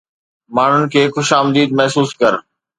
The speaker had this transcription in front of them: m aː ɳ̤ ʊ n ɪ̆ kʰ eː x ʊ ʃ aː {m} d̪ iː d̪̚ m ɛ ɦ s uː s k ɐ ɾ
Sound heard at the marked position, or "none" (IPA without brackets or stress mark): m